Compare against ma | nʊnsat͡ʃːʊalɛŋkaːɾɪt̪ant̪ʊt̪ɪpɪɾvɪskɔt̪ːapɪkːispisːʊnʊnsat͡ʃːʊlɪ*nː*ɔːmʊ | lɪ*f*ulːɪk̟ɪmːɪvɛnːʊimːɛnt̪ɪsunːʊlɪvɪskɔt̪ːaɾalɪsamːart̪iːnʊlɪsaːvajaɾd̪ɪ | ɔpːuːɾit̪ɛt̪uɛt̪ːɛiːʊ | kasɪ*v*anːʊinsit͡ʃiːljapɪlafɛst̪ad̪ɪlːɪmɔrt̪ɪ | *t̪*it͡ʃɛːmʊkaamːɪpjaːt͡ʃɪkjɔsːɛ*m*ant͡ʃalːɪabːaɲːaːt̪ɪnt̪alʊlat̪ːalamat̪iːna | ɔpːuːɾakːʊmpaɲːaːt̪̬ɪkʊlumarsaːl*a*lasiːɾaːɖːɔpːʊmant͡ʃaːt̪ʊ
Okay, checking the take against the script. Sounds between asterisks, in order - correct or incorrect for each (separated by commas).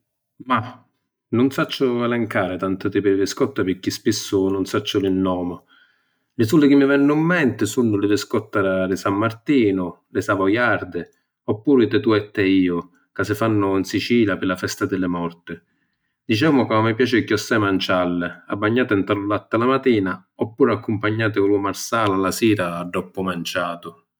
correct, incorrect, incorrect, incorrect, correct, correct